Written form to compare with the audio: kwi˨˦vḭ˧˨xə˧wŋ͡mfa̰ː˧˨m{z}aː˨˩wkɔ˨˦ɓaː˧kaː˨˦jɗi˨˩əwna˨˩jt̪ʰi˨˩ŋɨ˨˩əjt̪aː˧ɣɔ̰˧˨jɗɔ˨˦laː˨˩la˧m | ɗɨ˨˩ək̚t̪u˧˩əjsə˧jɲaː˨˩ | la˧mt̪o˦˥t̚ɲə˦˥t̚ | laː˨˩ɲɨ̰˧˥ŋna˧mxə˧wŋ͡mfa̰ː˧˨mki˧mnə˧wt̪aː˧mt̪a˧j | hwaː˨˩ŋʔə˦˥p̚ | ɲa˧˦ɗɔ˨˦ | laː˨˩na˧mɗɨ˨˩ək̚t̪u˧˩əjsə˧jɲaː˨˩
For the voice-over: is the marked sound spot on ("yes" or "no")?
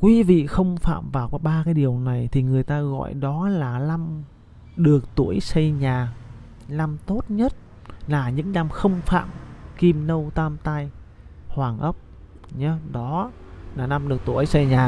no